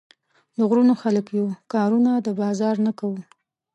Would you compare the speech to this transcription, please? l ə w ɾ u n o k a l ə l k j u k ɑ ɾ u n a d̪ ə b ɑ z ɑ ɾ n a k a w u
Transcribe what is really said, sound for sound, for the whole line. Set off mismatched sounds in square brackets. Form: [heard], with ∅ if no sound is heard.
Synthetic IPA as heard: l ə [ɣ] ɾ u n o [x] a l ə [∅] k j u k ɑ ɾ u n a d̪ ə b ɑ z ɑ ɾ n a k a w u